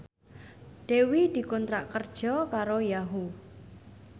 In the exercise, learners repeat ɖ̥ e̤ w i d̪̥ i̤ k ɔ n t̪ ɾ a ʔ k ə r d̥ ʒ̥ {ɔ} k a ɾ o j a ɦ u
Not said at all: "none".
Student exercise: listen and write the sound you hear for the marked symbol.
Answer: ɔ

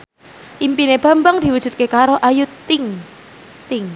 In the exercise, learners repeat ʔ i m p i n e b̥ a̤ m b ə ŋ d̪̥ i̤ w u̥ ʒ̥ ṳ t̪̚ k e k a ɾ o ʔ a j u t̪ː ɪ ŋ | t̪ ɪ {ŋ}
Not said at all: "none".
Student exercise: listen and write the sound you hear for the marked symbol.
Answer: ŋ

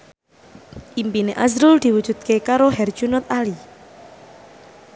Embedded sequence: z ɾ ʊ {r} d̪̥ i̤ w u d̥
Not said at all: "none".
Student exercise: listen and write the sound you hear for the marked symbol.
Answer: l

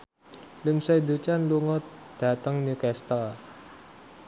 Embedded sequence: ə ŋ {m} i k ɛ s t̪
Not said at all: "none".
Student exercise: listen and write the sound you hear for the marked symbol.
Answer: n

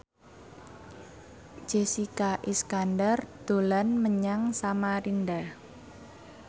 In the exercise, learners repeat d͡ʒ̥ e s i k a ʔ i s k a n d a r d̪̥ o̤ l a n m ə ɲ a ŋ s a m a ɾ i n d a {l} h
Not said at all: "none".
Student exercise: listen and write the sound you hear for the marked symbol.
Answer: none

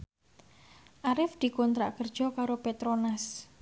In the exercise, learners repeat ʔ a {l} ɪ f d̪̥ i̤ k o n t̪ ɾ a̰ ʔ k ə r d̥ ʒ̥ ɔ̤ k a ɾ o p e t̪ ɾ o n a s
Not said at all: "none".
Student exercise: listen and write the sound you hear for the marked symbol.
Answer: ɾ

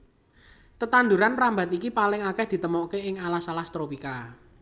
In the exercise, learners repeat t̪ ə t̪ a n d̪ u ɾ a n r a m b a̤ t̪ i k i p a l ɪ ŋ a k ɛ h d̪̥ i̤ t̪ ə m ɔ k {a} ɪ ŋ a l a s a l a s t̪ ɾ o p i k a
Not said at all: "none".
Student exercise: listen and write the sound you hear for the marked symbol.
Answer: e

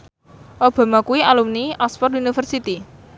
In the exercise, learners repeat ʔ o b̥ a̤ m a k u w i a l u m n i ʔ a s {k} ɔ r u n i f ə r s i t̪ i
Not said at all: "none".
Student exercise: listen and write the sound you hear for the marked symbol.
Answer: p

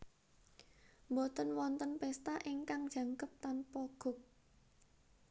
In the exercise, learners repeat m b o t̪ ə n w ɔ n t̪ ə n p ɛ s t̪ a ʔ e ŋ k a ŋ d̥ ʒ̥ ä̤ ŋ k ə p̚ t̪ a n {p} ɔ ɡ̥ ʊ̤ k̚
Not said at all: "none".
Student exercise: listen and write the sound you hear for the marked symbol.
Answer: p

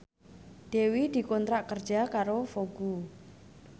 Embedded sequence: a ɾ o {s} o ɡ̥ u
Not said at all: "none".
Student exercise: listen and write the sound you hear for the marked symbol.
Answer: f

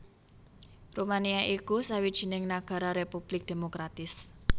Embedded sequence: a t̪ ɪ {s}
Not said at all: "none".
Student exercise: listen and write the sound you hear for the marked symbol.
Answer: s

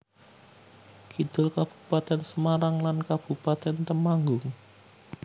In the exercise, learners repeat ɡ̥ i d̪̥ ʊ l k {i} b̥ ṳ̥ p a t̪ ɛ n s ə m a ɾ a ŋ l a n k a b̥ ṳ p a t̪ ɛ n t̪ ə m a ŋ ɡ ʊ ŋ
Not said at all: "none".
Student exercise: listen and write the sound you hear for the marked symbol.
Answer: a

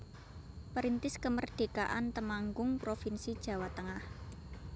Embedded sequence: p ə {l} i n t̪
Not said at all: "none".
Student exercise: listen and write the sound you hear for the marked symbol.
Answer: ɾ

